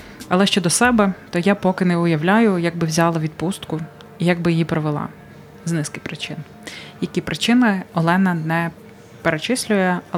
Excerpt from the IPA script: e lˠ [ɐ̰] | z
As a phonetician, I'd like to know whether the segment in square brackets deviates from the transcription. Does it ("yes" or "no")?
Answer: yes